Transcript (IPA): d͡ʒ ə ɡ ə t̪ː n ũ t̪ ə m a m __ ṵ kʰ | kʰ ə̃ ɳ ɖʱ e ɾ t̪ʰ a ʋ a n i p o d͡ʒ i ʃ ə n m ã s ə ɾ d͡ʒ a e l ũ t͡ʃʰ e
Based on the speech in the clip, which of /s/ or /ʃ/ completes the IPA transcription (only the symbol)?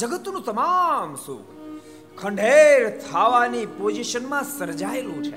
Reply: s